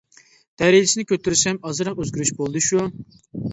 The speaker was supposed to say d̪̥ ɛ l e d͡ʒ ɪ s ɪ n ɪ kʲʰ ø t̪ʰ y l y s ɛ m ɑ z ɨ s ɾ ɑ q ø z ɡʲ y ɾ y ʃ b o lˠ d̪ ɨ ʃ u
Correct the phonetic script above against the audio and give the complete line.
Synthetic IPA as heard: d̪̥ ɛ ɾ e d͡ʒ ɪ s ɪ n ɪ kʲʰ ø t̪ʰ y ɾ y s ɛ m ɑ z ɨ ɾ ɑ q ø z ɡʲ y ɾ y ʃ b o lˠ d̪ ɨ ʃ u